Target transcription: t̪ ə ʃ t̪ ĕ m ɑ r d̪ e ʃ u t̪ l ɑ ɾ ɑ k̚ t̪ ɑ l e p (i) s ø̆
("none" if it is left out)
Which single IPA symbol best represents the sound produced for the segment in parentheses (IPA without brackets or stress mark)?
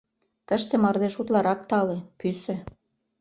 y